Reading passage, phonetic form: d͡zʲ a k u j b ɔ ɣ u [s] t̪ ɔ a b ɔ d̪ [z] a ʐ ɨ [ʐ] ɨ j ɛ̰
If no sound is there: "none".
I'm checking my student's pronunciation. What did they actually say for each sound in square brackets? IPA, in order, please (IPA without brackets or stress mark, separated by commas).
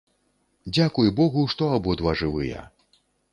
ʂ, v, v